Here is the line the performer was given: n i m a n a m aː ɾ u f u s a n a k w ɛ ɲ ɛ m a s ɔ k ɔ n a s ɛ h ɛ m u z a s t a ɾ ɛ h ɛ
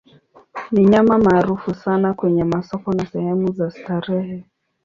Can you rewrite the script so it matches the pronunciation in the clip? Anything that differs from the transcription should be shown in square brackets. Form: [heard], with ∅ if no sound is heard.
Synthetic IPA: n i [ɲ] a [m] a m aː ɾ u f u s a n a k w ɛ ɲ ɛ m a s ɔ k ɔ n a s ɛ h ɛ m u z a s t a ɾ ɛ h ɛ